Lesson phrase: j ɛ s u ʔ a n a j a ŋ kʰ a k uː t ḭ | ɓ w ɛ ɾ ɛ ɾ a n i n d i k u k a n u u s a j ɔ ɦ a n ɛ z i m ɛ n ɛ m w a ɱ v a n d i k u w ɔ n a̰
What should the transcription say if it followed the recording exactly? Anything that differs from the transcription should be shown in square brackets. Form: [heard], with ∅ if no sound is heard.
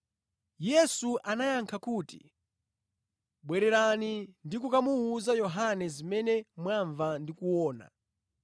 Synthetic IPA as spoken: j ɛ s u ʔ a n a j a ŋ kʰ a k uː t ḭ | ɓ w ɛ ɾ ɛ ɾ a n i n d i k u k a [m] u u [z] a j ɔ ɦ a n ɛ z i m ɛ n ɛ m w a ɱ v a n d i k u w [ɔː] n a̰